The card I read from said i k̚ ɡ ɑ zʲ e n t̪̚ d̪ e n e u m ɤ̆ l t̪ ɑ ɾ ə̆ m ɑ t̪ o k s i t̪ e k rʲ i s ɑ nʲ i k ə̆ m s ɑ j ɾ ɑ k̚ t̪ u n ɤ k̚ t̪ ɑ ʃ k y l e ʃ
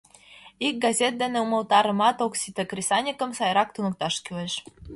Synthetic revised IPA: i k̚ ɡ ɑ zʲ e t̪̚ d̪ e n e u m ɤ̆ l t̪ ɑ ɾ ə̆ m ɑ t̪ o k s i t̪ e k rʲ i s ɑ nʲ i k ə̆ m s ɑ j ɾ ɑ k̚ t̪ u n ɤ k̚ t̪ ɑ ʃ k y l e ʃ